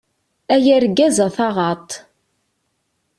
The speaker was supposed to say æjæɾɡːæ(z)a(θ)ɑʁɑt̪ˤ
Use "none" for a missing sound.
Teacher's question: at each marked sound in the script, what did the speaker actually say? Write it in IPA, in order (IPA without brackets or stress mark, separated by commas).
z, θ